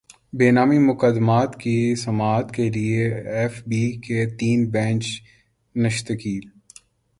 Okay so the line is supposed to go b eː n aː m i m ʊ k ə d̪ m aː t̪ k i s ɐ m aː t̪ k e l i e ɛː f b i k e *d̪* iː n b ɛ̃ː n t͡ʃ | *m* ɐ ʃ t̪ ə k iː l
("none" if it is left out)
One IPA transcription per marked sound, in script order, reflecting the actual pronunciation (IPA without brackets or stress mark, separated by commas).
t̪, n